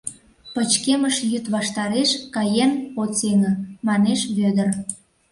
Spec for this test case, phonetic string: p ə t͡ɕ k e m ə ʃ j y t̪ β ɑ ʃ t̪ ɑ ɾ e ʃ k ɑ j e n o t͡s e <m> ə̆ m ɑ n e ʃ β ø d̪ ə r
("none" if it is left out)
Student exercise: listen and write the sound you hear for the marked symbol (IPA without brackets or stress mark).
ŋ